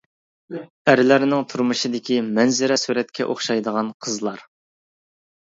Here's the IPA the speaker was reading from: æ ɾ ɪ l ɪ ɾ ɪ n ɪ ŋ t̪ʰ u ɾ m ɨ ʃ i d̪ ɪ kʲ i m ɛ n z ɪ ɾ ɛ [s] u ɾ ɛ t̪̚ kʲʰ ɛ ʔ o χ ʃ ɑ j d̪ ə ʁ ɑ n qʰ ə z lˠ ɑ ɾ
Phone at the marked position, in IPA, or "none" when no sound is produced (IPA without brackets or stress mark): s